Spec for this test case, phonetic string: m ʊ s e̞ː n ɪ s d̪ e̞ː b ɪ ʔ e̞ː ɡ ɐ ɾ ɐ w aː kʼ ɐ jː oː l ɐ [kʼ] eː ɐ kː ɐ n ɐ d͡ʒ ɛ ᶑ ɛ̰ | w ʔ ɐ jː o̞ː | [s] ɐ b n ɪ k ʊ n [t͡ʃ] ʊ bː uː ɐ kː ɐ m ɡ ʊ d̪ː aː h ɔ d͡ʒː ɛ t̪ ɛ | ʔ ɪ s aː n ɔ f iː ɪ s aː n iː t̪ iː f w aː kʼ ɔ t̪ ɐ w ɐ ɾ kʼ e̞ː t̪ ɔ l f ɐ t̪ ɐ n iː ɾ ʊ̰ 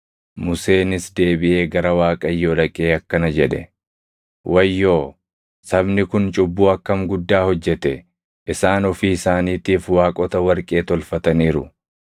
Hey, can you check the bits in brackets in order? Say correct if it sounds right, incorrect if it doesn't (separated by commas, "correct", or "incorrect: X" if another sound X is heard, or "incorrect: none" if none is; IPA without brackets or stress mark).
correct, correct, incorrect: t͡ʃʼ